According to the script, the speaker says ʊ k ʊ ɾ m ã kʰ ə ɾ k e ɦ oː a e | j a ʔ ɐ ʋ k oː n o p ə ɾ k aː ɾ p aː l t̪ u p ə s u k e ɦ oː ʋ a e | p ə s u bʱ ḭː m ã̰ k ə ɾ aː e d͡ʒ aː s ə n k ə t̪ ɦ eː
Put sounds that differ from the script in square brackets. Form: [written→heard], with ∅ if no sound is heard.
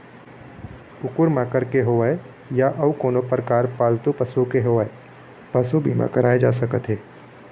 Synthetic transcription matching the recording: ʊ k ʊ ɾ m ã [kʰ→k] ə ɾ k e ɦ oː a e | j a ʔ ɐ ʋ k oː n o p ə ɾ k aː ɾ p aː l t̪ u p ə s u k e ɦ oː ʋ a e | p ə s u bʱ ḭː m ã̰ k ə ɾ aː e d͡ʒ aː s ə [n→∅] k ə t̪ ɦ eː

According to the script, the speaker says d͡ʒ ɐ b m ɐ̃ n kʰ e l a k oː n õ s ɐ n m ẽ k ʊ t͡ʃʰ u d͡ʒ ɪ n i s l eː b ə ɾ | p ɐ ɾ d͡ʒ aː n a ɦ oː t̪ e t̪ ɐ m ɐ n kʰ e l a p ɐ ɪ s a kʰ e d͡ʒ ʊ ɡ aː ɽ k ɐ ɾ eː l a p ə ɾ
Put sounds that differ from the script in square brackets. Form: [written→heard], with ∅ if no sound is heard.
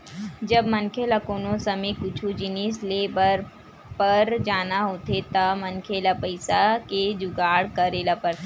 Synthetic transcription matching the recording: d͡ʒ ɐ b m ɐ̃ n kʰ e l a k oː n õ s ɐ [n→∅] m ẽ k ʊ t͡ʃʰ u d͡ʒ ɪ n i s l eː b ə ɾ | p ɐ ɾ d͡ʒ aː n a ɦ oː t̪ e t̪ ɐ m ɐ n kʰ e l a p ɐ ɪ s a [kʰ→k] e d͡ʒ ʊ ɡ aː ɽ k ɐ ɾ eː l a p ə ɾ

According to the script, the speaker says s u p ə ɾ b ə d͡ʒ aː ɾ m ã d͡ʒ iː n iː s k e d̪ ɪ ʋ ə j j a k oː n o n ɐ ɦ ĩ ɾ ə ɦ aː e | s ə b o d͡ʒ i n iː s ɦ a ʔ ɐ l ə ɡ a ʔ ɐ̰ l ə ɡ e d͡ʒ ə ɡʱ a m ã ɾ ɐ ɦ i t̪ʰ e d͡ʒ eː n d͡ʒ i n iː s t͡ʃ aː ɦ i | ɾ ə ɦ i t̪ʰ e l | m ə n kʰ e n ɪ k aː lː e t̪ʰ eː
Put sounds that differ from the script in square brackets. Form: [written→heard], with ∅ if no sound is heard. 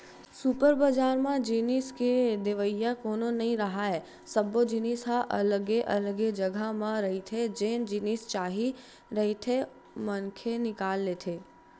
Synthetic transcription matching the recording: s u p ə ɾ b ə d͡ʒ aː ɾ m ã d͡ʒ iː n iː s k e d̪ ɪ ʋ ə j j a k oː n o n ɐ ɦ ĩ ɾ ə ɦ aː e | s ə b o d͡ʒ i n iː s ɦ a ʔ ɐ l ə ɡ [a→e] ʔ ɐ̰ l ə ɡ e d͡ʒ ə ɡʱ a m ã ɾ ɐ ɦ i t̪ʰ e d͡ʒ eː n d͡ʒ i n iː s t͡ʃ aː ɦ i | ɾ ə ɦ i t̪ʰ e [l→∅] | m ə n kʰ e n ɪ k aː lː e t̪ʰ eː

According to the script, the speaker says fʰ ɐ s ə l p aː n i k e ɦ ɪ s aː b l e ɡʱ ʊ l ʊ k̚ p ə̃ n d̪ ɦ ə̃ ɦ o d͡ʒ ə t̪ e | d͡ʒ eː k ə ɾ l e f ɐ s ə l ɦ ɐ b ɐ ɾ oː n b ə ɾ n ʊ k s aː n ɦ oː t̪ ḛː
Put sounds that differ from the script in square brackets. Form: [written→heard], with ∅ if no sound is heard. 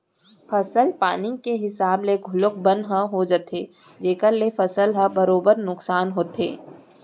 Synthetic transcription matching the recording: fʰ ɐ s ə l p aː n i k e ɦ ɪ s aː b l e ɡʱ ʊ l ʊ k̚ [p→b] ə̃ n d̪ ɦ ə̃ ɦ o d͡ʒ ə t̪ e | d͡ʒ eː k ə ɾ l e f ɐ s ə l ɦ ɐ b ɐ ɾ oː [n→∅] b ə ɾ n ʊ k s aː n ɦ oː t̪ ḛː

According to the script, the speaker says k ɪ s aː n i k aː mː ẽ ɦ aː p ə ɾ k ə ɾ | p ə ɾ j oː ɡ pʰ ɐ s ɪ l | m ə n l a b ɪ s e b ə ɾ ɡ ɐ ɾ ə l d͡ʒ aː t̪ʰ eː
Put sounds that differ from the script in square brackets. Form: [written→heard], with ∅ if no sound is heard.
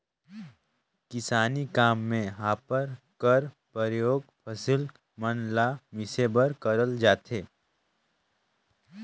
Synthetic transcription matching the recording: k ɪ s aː n i k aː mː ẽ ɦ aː p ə ɾ k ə ɾ | p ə ɾ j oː ɡ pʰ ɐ s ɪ l | m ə n l a [b→m] ɪ s e b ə ɾ [ɡ→k] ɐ ɾ ə l d͡ʒ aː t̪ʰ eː

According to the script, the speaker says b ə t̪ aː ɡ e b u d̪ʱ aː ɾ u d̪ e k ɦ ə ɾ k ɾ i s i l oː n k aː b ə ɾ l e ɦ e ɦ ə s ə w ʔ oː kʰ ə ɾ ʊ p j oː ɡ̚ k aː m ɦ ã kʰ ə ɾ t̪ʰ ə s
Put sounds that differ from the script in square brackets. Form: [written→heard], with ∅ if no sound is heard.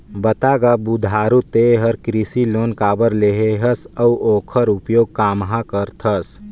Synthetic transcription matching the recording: b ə t̪ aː ɡ [e→a] b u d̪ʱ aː ɾ u [d̪→t̪] e [k→∅] ɦ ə ɾ k ɾ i s i l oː n k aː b ə ɾ l e ɦ e ɦ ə s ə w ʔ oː kʰ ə ɾ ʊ p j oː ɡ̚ k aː m ɦ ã [kʰ→k] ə ɾ t̪ʰ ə s

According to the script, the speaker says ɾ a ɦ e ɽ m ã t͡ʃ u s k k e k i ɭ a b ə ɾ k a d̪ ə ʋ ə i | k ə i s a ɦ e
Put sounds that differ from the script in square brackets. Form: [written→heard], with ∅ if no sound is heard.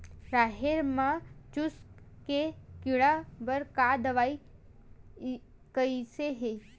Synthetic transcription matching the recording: ɾ a ɦ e [ɽ→ɾ] m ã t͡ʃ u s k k e k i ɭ a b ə ɾ k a d̪ ə ʋ [ə→a] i | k ə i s [a→e] ɦ e

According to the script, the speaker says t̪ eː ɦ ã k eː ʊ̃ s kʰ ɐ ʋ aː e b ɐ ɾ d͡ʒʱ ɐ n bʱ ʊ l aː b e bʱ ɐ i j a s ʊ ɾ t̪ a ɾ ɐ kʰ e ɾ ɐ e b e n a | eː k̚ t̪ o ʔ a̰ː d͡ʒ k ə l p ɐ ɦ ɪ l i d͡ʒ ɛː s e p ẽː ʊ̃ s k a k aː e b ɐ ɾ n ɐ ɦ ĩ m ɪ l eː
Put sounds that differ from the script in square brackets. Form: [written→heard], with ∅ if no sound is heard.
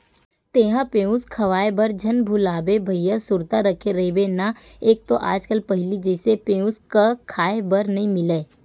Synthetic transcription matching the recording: t̪ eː ɦ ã [k→p] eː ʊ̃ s kʰ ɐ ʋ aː e b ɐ ɾ d͡ʒʱ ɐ n bʱ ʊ l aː b e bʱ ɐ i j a s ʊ ɾ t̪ a ɾ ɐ kʰ e ɾ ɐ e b e n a | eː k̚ t̪ o ʔ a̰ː d͡ʒ k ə l p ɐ ɦ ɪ l i d͡ʒ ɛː s e p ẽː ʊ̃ s k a [k→kʰ] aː e b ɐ ɾ n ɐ ɦ ĩ m ɪ l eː

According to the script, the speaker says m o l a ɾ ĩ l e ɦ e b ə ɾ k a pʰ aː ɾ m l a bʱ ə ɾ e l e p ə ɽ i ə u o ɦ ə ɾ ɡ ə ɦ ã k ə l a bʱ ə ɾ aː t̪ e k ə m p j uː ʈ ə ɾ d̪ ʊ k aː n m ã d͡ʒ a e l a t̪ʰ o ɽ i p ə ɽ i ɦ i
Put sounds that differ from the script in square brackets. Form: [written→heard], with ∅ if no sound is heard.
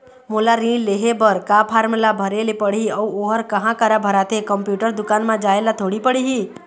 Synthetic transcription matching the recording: m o l a ɾ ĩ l e ɦ e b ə ɾ k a pʰ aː ɾ m l a bʱ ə ɾ e l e p ə ɽ i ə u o ɦ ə ɾ [ɡ→k] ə ɦ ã k ə [l→ɾ] a bʱ ə ɾ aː t̪ e k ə m p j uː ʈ ə ɾ d̪ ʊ k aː n m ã d͡ʒ a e l a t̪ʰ o ɽ i p ə ɽ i ɦ i

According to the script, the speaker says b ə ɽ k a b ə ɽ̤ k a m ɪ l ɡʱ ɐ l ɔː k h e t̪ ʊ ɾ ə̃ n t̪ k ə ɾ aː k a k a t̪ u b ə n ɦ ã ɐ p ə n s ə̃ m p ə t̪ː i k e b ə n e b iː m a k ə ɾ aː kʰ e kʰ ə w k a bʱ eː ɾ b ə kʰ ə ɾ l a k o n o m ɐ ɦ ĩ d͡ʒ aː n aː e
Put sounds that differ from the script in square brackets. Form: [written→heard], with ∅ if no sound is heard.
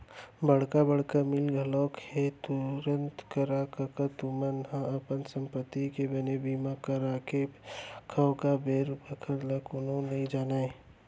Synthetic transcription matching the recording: b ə ɽ k a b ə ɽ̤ k a m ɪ l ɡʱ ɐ l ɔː k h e t̪ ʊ ɾ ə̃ n t̪ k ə ɾ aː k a k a t̪ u [b→m] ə n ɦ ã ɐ p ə n s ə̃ m p ə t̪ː i k e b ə n e b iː m a k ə ɾ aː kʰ e kʰ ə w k a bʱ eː ɾ b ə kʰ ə ɾ l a k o n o [m→n] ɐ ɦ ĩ d͡ʒ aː n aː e

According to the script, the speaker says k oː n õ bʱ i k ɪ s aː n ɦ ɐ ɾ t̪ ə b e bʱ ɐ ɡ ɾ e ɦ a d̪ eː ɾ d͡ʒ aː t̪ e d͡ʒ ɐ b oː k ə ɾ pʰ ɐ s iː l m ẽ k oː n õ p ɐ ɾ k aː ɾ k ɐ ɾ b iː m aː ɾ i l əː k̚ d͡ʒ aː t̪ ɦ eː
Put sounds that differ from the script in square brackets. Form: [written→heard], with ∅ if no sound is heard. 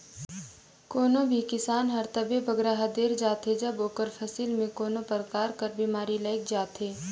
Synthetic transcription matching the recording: k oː n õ bʱ i k ɪ s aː n ɦ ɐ ɾ t̪ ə b e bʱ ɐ ɡ ɾ [e→a] ɦ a d̪ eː ɾ d͡ʒ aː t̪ e d͡ʒ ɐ b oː k ə ɾ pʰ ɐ s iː l m ẽ k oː n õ p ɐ ɾ k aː ɾ k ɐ ɾ b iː m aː ɾ i l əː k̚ d͡ʒ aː t̪ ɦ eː

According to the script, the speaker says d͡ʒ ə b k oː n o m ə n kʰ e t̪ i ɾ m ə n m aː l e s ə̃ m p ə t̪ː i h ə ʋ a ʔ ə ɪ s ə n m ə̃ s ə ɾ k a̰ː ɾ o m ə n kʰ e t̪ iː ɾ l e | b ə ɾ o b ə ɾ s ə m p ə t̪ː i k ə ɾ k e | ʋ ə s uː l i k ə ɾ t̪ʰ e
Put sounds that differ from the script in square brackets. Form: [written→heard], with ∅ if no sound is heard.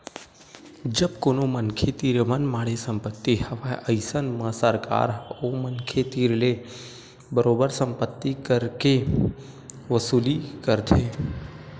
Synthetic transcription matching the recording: d͡ʒ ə b k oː n o m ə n kʰ e t̪ i ɾ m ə n m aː [l→ɽ] e s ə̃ m p ə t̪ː i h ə ʋ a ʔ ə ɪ s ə n m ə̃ s ə ɾ k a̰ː ɾ o m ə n kʰ e t̪ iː ɾ l e | b ə ɾ o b ə ɾ s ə m p ə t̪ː i k ə ɾ k e | ʋ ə s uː l i k ə ɾ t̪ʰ e

